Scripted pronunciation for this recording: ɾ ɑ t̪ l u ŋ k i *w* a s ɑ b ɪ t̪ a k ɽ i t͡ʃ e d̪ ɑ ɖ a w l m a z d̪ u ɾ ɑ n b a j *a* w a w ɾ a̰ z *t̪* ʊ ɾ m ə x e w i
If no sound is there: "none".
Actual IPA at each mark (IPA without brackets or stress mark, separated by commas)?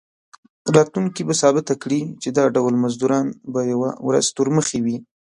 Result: b, a, t̪